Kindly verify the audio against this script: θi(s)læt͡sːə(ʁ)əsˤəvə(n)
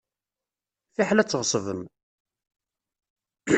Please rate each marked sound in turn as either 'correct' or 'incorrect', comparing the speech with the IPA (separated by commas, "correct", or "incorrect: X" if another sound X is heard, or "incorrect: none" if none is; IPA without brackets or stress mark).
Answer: incorrect: ħ, correct, incorrect: m